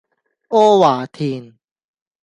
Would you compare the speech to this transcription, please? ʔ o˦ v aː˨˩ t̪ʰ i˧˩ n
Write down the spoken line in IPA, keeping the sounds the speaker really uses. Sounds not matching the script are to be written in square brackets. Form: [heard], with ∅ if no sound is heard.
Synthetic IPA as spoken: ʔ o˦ [w] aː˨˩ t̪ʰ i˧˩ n